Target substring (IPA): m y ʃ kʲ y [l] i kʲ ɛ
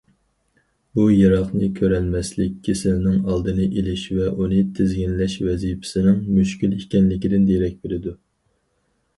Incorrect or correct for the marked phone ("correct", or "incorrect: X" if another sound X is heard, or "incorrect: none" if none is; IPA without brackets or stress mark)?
correct